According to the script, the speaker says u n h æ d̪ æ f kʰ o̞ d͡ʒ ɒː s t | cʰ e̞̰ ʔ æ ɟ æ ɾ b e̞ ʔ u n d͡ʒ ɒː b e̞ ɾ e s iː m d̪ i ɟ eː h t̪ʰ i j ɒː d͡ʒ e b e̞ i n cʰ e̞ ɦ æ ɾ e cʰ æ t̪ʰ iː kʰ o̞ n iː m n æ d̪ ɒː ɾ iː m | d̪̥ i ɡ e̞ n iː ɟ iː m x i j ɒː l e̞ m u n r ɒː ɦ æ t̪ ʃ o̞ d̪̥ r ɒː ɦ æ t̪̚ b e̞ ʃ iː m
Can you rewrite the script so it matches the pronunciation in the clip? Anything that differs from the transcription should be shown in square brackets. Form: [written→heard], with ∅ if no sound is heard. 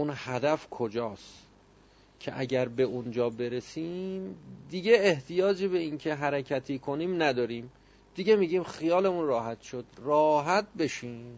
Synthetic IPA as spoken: u n h æ d̪ æ f kʰ o̞ d͡ʒ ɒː s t | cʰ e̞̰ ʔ æ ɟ æ ɾ b e̞ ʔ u n d͡ʒ ɒː b e̞ ɾ e s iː m d̪ i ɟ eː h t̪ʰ i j ɒː d͡ʒ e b e̞ i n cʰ e̞ ɦ æ ɾ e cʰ æ t̪ʰ iː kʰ o̞ n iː m n æ d̪ ɒː ɾ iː m | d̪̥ i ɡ e̞ [n→m] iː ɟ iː m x i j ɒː l e̞ m u n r ɒː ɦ æ t̪ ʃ o̞ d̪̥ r ɒː ɦ æ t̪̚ b e̞ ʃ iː m